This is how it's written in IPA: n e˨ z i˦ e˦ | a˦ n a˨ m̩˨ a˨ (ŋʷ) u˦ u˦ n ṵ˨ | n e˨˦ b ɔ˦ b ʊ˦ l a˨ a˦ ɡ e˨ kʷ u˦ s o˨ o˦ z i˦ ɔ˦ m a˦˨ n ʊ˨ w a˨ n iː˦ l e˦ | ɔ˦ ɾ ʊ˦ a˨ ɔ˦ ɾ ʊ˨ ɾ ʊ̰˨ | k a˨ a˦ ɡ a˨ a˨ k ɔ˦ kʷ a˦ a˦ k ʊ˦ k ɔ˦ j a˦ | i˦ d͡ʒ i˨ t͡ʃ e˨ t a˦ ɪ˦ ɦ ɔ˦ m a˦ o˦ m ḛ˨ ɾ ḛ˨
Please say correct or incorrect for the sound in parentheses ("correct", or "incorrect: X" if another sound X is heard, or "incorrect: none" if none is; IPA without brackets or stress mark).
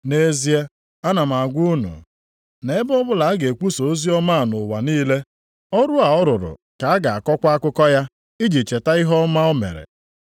incorrect: ɡʷ